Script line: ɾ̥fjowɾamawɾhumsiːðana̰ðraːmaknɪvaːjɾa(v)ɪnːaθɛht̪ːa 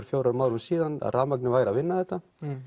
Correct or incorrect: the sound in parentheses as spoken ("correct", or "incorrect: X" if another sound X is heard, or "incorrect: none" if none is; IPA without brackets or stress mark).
correct